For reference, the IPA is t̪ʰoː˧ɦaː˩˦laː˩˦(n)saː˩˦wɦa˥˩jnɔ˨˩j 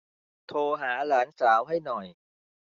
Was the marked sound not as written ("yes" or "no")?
no